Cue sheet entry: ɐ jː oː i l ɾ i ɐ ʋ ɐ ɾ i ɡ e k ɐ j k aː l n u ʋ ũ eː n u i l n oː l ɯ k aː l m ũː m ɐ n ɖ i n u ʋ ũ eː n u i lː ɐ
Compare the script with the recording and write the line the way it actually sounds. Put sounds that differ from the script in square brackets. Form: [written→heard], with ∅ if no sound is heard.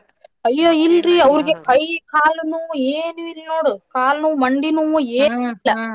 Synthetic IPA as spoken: ɐ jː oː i l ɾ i ɐ ʋ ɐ ɾ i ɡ e k ɐ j k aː l n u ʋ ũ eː n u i l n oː [l→ɽ] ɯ k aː l [m→n] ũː m ɐ [n→ɳ] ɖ i n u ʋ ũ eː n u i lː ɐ